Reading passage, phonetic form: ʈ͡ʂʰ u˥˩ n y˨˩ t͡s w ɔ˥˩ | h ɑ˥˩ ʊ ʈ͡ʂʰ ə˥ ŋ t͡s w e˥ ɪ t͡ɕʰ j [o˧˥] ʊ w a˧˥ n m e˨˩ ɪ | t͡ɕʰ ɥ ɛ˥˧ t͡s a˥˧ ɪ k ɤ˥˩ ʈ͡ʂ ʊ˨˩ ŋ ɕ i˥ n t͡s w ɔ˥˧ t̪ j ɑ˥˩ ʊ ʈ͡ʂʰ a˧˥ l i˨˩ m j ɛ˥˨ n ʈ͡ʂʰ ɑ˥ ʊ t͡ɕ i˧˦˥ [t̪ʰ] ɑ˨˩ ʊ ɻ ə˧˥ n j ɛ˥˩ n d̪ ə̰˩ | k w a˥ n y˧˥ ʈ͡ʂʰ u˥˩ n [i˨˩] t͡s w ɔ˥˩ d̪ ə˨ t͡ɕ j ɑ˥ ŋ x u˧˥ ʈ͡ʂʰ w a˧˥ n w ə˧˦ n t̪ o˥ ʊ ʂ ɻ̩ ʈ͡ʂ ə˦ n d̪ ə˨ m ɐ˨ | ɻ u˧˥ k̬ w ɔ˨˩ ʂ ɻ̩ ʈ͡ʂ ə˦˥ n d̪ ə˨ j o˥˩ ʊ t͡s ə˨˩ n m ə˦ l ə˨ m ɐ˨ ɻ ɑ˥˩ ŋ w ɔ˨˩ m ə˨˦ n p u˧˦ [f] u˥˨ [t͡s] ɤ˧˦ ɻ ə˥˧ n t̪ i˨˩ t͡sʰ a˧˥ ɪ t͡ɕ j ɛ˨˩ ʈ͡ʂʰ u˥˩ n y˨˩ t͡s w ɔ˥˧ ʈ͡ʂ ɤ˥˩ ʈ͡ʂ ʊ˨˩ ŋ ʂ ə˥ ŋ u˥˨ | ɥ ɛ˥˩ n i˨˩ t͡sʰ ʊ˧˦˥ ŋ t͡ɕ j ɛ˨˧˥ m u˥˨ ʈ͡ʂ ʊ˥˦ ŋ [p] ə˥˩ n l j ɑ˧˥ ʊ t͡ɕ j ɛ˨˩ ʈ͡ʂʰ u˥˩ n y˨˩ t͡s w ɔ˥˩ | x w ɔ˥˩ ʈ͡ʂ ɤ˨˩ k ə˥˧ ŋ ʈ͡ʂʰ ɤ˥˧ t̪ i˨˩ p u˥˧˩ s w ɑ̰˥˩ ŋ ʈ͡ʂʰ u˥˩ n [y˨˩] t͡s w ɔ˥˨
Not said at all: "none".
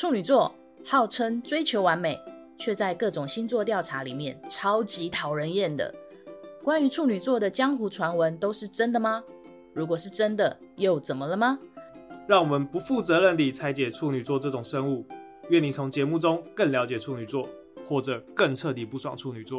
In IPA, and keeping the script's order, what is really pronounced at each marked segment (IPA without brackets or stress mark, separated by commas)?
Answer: o˧˥, t̪ʰ, y˨˩, f, t͡s, k, y˨˩